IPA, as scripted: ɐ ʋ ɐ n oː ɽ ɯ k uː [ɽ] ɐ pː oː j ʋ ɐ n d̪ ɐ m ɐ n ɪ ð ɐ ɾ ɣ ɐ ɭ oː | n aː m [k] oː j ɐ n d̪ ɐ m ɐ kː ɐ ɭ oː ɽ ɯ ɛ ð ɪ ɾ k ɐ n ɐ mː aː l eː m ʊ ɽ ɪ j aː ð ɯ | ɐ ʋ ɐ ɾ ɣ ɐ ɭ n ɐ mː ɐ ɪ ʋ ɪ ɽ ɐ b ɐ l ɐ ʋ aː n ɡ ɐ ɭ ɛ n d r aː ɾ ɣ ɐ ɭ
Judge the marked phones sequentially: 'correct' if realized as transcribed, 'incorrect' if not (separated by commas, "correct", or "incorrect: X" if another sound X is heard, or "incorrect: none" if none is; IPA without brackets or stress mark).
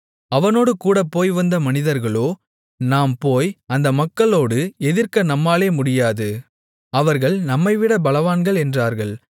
correct, incorrect: p